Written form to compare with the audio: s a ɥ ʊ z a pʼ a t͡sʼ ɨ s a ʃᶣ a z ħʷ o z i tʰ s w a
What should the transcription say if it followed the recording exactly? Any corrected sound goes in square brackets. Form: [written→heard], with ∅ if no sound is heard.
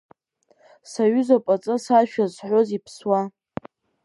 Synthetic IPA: s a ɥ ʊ z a pʼ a t͡sʼ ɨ s a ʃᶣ a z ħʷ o z i [tʰ→pʰ] s w a